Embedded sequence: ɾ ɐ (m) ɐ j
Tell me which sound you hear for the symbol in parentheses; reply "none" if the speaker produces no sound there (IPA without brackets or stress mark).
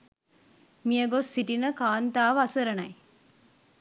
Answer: n